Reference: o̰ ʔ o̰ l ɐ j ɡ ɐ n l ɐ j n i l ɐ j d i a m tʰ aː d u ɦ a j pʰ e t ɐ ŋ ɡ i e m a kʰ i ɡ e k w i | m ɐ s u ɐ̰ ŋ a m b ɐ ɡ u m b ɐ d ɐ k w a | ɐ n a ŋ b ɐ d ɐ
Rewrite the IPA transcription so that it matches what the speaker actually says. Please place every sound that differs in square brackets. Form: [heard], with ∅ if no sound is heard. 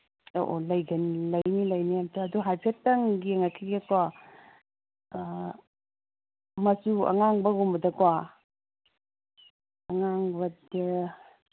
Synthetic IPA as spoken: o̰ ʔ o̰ l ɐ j ɡ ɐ n l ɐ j n i l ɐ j [n] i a m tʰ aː d u ɦ a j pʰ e t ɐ ŋ ɡ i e [ŋ] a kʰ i ɡ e k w [a] | m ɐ s u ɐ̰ ŋ a [ŋ] b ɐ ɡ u m b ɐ d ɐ k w a | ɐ [ŋ] a ŋ b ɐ d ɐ